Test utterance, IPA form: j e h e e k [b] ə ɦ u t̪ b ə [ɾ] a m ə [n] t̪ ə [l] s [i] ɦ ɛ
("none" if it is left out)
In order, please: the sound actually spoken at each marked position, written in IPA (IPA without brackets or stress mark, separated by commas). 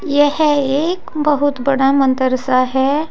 b, ɽ, n, ɾ, a